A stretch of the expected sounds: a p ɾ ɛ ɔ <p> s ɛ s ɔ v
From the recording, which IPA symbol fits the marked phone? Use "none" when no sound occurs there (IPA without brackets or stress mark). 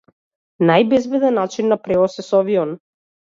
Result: none